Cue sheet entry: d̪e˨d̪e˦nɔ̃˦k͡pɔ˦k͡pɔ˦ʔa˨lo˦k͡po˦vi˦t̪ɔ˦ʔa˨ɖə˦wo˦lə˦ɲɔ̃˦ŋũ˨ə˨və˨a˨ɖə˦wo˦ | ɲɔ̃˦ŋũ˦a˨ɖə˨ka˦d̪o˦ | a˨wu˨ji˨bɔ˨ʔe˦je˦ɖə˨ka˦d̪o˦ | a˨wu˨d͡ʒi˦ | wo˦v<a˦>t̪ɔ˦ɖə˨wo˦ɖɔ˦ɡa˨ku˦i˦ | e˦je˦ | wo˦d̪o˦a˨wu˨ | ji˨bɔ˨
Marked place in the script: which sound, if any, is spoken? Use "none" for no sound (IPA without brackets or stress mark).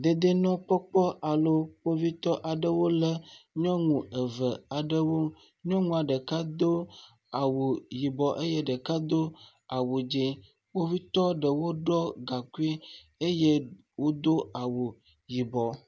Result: i˦